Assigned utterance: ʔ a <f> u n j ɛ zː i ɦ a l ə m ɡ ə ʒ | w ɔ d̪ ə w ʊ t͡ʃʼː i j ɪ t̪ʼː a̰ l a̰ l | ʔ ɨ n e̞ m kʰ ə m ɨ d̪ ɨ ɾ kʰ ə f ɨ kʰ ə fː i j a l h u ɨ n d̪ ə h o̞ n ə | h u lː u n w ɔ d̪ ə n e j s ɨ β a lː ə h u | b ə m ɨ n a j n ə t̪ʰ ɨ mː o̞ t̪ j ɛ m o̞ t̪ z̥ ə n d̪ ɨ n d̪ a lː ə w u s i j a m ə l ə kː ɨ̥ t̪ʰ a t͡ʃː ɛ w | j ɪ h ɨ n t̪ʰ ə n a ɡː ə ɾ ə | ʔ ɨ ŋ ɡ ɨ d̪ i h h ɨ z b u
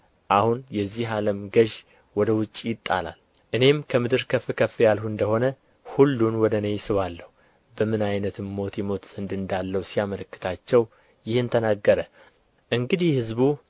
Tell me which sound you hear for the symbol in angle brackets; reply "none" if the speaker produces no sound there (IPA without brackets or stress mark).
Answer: h